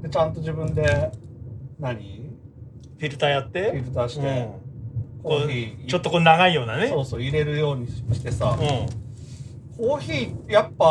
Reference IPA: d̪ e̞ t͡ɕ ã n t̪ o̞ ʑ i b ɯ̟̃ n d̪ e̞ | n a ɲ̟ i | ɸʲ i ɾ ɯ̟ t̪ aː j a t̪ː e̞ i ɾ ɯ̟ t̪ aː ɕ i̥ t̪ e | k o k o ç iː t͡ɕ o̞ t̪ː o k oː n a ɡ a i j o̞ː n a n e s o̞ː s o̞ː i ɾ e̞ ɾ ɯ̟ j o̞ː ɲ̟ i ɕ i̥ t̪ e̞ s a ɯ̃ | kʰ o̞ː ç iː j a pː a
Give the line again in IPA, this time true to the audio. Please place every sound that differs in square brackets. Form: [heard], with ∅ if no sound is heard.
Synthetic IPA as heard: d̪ e̞ t͡ɕ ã n t̪ o̞ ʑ i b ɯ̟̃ n d̪ e̞ | n a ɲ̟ i | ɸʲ i ɾ ɯ̟ t̪ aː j a t̪ː e̞ i ɾ ɯ̟ t̪ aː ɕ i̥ t̪ e | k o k o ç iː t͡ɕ o̞ t̪ː o k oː n a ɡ a i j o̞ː n a n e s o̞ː s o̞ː i ɾ e̞ ɾ ɯ̟ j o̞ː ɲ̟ i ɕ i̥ t̪ e̞ s a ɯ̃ | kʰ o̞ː ç iː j a pː a